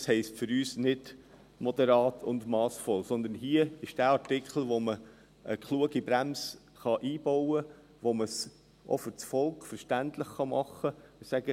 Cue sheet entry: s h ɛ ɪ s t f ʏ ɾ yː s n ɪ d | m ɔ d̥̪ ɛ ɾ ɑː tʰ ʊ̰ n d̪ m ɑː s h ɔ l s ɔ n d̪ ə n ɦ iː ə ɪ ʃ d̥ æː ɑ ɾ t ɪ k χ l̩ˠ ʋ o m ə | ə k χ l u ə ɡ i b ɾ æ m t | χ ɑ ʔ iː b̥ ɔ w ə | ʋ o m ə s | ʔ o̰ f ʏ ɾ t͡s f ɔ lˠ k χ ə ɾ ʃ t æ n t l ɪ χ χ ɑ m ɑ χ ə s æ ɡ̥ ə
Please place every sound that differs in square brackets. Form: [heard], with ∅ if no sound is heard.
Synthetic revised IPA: s h ɛ ɪ s t f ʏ ɾ yː s n ɪ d | m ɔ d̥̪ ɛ ɾ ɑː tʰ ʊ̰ n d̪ m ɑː s [f] ɔ l s ɔ n d̪ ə n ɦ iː ə ɪ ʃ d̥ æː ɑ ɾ t ɪ k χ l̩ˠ ʋ o m ə | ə k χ l u ə ɡ i b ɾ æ m [s] | χ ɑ ʔ iː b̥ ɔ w ə | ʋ o m ə s | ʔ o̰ f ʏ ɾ t͡s f ɔ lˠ k [f] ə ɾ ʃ t æ n t l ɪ χ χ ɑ m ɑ χ ə s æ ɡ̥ ə